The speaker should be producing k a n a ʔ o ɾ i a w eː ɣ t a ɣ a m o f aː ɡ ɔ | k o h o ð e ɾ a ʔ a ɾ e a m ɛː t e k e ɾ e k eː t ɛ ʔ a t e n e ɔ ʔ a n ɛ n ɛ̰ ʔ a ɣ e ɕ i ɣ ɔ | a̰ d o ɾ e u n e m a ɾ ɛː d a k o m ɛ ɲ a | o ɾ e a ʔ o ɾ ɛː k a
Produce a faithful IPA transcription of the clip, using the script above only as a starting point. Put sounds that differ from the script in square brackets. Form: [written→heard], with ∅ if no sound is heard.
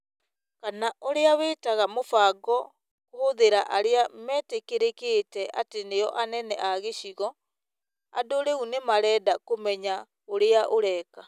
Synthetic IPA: k a n a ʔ o ɾ [i→e] a w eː [ɣ→∅] t a ɣ a m o f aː ɡ ɔ | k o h o ð e ɾ a ʔ a ɾ e a m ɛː t e k e ɾ e k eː t ɛ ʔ a t e n e ɔ ʔ a n ɛ n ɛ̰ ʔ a ɣ e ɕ i ɣ ɔ | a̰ d o ɾ e u n e m a ɾ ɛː d a k o m ɛ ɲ a | o ɾ e a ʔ o ɾ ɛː k a

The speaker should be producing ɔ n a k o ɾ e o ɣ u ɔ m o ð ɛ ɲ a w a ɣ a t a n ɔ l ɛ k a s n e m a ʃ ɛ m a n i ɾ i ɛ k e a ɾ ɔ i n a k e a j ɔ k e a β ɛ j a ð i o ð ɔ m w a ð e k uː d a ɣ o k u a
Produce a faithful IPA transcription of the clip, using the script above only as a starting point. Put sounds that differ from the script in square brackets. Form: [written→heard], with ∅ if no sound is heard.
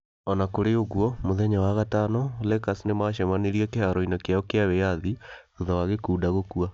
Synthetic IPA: ɔ n a k o ɾ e o ɣ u ɔ m o ð ɛ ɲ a w a ɣ a t a n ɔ l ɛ k a s n e m a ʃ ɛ m a n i ɾ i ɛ k e a ɾ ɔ i n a k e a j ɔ k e a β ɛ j a ð i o ð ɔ [m→∅] w a [ð→ɣ] e k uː d a ɣ o k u a

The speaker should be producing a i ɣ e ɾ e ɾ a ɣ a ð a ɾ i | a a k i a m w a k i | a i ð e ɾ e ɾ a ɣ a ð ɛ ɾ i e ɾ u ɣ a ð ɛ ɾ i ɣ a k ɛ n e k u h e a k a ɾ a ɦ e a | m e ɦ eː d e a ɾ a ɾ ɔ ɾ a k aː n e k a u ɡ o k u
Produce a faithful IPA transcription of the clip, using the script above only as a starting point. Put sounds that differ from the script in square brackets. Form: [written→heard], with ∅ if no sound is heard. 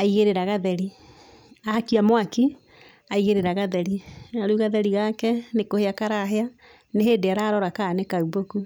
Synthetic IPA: a i ɣ e ɾ e ɾ a ɣ a ð [a→ɛ] ɾ i | a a k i a m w a k i | a i [ð→ɣ] e ɾ e ɾ a ɣ a ð ɛ ɾ i [e→a] ɾ u ɣ a ð ɛ ɾ i ɣ a k ɛ n e k [u→o] h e a k a ɾ a ɦ e a | [m→n] e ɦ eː d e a ɾ a ɾ ɔ ɾ a k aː n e k a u [ɡ→b] o k u

